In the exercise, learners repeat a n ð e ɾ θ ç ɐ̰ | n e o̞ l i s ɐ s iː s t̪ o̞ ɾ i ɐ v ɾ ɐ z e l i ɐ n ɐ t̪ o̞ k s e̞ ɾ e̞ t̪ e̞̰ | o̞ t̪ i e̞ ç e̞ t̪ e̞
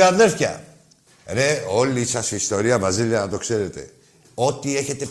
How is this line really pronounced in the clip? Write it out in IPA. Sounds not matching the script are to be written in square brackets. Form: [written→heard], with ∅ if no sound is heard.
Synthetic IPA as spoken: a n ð e ɾ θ ç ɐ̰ | n e o̞ l i s ɐ s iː s t̪ o̞ ɾ i ɐ v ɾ ɐ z [e→i] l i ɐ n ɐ t̪ o̞ k s e̞ ɾ e̞ t̪ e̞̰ | o̞ t̪ i e̞ ç e̞ t̪ e̞